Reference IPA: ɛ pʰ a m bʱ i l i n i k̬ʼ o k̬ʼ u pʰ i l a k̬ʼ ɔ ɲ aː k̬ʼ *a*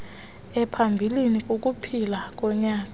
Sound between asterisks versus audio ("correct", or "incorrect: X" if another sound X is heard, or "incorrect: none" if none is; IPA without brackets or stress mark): correct